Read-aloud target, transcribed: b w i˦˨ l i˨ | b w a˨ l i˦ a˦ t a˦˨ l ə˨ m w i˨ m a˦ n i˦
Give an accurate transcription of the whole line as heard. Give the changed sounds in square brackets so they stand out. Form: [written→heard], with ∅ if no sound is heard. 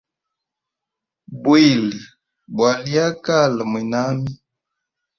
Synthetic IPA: b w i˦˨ l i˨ | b w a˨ l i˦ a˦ [t→k] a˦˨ l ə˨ m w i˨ [m→n] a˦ [n→m] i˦